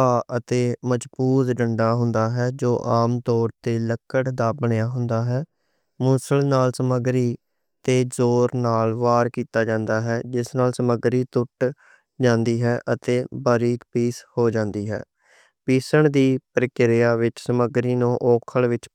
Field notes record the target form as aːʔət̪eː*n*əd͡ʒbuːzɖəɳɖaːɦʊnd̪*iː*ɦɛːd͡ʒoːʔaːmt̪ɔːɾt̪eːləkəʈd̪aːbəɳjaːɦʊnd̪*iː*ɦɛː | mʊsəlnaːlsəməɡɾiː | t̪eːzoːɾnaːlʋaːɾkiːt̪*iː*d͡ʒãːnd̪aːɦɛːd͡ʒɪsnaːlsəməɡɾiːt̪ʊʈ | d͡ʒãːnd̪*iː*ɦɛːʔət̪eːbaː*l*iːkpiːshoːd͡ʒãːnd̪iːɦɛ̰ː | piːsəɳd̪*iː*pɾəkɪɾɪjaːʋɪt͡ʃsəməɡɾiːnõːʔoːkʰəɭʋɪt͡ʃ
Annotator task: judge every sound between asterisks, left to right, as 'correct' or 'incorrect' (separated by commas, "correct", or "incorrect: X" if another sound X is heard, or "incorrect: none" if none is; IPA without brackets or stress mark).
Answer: incorrect: m, incorrect: aː, incorrect: aː, incorrect: aː, correct, incorrect: ɾ, correct